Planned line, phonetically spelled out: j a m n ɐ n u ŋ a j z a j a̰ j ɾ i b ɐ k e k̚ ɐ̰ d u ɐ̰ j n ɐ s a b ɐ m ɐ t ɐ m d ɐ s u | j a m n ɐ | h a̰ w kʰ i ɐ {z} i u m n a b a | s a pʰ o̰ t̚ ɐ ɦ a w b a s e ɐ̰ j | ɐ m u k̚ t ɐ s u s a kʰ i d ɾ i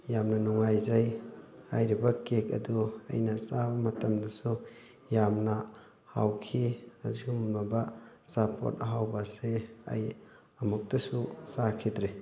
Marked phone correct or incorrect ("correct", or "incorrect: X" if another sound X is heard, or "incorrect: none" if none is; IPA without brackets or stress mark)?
correct